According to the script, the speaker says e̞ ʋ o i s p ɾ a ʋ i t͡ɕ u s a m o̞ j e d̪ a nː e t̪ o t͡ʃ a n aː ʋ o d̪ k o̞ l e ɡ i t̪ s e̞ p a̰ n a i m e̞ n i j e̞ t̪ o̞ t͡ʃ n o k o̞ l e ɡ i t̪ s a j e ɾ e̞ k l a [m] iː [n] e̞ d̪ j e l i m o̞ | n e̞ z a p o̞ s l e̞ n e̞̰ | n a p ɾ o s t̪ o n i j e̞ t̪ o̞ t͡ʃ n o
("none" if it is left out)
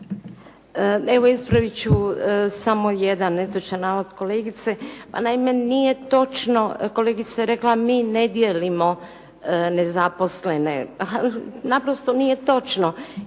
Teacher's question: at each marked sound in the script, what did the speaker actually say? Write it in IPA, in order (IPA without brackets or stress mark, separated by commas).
m, n